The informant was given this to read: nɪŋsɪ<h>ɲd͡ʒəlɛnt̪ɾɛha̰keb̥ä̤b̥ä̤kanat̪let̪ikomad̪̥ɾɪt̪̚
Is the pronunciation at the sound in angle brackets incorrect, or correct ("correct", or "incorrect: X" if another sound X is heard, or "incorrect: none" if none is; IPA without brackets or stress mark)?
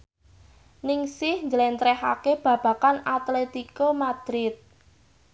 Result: correct